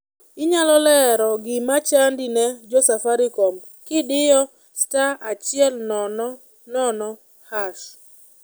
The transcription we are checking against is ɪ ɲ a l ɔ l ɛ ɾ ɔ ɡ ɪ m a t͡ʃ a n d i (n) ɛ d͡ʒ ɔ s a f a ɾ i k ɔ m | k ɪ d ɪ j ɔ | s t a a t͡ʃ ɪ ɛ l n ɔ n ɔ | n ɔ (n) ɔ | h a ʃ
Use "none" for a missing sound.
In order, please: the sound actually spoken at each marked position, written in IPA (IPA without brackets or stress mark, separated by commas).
n, n